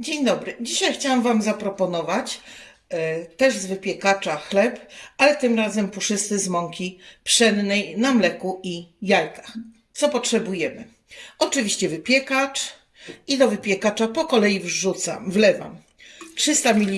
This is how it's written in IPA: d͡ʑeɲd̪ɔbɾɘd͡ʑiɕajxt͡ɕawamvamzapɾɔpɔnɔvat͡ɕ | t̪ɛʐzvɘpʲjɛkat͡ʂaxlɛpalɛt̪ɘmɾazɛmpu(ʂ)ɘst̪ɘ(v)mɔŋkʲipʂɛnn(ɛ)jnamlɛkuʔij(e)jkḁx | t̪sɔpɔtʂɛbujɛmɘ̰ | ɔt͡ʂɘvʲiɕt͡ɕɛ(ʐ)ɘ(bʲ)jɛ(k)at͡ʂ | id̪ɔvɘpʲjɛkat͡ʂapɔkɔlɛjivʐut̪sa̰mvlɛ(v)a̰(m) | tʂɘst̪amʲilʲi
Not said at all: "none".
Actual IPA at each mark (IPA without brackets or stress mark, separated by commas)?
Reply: ʂ, z, ɛ, a, v, pʲ, k, v, m